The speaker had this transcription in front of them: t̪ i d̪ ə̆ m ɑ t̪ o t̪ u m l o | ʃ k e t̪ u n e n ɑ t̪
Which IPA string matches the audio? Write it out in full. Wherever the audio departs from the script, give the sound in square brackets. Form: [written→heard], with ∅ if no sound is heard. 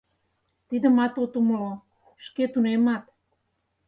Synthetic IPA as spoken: t̪ i d̪ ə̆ m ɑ t̪ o t̪ u m l o | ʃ k e t̪ u n e [n→m] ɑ t̪